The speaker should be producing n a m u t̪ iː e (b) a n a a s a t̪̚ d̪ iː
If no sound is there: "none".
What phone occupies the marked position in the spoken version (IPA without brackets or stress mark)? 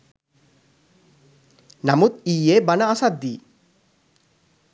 b